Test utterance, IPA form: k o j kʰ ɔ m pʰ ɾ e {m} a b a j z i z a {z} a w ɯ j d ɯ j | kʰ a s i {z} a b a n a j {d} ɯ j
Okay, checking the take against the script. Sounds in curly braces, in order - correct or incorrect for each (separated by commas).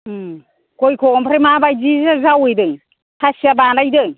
correct, correct, incorrect, correct